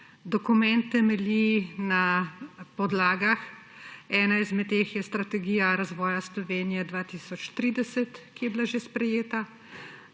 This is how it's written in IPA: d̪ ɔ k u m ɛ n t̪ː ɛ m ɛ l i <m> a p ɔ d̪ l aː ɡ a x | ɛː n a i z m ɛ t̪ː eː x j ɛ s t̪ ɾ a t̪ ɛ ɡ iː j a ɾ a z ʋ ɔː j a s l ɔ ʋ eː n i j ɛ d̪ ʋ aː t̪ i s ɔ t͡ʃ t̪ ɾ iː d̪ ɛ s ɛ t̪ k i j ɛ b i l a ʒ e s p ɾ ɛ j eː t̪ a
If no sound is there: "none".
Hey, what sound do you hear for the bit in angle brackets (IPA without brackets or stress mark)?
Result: n